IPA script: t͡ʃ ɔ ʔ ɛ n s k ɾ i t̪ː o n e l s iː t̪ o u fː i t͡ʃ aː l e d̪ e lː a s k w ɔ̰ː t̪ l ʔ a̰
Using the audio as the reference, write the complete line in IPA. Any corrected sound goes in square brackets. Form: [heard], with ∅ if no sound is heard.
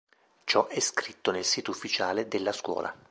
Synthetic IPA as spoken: t͡ʃ ɔ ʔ ɛ [∅] s k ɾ i t̪ː o n e l s iː t̪ o u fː i t͡ʃ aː l e d̪ e lː a s k w ɔ̰ː [∅] l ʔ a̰